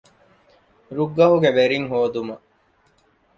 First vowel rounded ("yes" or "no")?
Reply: yes